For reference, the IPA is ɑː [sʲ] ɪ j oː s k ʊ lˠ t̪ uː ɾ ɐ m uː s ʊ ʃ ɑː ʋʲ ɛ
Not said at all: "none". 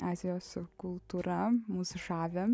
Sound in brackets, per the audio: zʲ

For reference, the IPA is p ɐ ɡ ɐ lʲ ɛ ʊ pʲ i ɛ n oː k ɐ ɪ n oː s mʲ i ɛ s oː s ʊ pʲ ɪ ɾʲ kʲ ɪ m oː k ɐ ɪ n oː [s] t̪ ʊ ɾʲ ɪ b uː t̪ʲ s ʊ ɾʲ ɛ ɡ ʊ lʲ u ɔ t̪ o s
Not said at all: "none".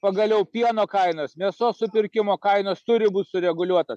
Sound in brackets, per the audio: s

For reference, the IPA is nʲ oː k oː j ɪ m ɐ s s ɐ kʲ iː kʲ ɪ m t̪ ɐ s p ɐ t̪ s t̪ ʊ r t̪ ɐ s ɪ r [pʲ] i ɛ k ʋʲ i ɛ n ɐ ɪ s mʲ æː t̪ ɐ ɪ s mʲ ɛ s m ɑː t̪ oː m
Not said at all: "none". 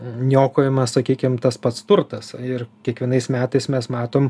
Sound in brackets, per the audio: kʲ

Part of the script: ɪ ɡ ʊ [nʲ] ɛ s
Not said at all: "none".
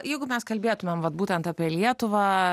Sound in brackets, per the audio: mʲ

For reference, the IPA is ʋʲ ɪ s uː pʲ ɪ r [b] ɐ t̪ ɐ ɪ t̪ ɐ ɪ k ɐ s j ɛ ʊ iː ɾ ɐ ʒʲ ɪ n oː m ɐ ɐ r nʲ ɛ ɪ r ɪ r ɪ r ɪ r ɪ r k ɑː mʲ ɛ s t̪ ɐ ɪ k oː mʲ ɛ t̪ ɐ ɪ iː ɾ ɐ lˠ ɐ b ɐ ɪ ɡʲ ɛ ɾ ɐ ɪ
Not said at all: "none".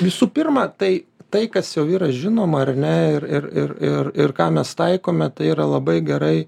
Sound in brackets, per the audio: m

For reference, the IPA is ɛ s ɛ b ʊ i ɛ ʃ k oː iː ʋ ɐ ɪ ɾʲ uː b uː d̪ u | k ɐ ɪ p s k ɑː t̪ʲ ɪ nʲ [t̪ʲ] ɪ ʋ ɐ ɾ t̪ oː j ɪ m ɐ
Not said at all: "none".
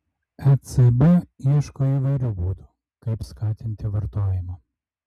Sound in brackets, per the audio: t̪ʲ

